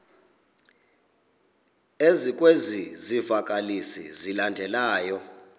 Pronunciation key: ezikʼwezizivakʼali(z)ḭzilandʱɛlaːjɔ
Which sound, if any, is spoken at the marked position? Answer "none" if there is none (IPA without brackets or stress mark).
s